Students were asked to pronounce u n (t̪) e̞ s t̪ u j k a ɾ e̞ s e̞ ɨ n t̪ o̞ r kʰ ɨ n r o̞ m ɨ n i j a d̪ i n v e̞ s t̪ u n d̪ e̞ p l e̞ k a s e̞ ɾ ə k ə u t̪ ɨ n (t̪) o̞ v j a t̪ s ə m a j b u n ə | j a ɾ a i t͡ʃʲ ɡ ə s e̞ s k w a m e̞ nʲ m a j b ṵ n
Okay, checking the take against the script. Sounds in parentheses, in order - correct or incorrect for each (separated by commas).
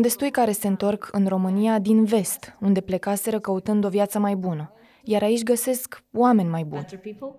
incorrect, incorrect